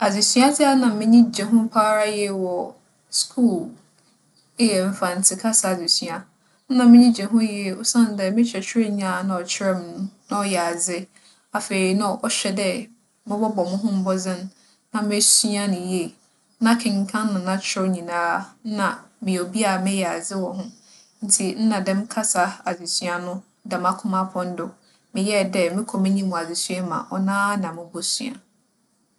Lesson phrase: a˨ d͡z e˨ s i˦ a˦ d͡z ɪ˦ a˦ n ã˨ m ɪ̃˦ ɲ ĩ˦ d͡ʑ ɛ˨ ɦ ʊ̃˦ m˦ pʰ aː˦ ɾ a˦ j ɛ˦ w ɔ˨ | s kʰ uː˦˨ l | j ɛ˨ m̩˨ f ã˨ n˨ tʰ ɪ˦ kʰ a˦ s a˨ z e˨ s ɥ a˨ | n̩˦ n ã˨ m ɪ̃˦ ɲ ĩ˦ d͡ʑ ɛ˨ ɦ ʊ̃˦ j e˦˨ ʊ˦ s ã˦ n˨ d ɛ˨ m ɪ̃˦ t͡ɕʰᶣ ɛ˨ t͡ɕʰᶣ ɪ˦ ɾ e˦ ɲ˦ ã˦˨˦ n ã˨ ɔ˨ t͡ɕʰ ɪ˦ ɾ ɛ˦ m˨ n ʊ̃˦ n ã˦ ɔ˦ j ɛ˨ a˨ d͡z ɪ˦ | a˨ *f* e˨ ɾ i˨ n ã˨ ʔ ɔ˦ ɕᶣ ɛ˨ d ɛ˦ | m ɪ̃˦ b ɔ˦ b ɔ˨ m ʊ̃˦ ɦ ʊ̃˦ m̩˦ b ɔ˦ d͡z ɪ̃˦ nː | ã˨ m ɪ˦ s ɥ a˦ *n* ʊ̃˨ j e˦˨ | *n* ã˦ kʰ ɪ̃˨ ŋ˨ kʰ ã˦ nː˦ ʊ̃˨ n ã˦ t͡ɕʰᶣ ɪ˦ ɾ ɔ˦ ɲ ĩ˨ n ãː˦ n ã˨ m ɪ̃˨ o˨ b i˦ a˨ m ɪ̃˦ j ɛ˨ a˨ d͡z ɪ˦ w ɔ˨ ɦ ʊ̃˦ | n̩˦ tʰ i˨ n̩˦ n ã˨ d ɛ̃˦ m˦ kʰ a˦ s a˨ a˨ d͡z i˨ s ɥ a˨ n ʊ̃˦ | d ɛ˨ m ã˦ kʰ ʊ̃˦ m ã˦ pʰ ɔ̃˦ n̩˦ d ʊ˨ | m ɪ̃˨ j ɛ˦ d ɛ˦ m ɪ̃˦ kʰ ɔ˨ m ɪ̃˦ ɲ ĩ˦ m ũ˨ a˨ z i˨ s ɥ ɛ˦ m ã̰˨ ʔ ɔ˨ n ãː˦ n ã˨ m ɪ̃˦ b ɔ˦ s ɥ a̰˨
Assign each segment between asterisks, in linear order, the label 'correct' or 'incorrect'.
correct, correct, correct

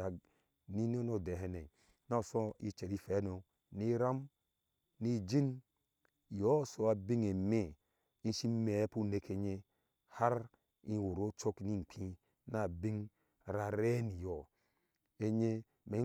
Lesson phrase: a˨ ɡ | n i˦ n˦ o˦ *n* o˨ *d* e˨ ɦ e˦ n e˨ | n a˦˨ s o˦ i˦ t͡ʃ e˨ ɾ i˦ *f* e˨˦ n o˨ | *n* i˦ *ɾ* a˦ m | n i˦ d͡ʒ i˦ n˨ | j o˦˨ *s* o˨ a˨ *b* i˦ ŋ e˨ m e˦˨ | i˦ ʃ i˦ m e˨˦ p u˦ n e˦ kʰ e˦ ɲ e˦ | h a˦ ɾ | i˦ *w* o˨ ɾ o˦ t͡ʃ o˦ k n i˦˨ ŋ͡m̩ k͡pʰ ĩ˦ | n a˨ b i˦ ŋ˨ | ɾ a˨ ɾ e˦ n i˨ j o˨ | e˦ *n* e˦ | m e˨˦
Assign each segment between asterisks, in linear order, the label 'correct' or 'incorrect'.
correct, correct, correct, correct, correct, correct, correct, correct, incorrect: ɲ

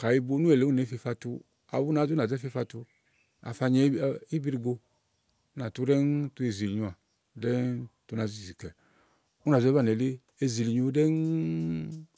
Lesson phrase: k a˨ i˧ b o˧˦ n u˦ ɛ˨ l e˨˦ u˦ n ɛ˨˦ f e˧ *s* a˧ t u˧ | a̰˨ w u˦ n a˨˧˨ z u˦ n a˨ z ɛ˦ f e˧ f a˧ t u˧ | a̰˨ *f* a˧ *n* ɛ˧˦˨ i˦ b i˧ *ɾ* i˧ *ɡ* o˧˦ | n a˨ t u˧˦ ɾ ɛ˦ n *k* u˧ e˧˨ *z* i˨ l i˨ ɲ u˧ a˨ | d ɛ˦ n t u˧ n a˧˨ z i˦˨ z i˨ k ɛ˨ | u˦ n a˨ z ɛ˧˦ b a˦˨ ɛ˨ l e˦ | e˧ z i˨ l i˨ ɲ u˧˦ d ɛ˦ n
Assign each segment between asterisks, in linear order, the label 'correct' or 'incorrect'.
incorrect: f, correct, incorrect: ɲ, correct, correct, incorrect: t, correct

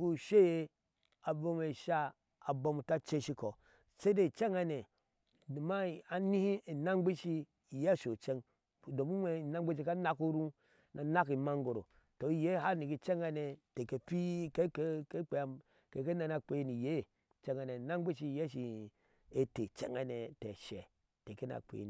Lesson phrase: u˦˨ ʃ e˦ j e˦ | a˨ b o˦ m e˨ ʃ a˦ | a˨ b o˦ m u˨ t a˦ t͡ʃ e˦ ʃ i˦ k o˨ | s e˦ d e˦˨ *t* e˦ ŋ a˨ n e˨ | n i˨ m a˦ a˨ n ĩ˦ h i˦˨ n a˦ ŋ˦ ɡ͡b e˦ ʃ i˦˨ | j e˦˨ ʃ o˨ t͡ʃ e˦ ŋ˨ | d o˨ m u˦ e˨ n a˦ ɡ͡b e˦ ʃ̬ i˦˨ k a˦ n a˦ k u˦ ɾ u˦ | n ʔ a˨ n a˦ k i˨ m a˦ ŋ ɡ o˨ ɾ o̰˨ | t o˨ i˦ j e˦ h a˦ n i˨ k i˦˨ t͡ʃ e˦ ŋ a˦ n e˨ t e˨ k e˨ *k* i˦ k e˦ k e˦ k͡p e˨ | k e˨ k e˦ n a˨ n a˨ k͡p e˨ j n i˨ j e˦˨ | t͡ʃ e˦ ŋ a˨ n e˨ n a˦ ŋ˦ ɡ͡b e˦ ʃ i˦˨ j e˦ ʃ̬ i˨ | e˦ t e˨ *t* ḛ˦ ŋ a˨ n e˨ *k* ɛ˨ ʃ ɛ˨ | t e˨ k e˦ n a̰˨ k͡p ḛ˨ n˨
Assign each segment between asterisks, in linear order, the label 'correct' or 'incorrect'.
incorrect: t͡ʃ, incorrect: p, incorrect: t͡ʃ, incorrect: t

